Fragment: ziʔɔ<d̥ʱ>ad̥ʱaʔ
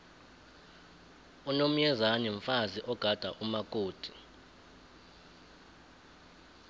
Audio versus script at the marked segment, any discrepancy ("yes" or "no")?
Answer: yes